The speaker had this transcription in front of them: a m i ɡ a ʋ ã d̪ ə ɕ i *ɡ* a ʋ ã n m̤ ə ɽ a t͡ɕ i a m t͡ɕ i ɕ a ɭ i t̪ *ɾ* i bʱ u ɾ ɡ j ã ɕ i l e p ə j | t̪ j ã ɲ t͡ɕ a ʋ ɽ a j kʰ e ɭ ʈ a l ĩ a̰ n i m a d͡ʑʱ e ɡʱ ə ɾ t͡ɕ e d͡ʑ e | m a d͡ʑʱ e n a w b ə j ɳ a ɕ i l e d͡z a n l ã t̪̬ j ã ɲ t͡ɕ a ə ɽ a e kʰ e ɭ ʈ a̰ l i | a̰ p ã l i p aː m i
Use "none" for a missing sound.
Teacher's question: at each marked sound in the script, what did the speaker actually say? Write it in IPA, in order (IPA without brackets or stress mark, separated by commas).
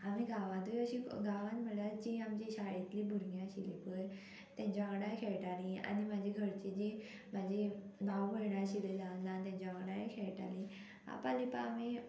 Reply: ɡ, l